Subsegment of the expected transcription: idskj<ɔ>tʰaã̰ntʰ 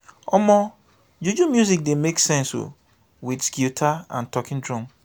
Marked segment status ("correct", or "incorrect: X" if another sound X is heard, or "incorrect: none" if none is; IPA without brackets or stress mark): incorrect: u